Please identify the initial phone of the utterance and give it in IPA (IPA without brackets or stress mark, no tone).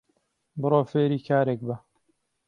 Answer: b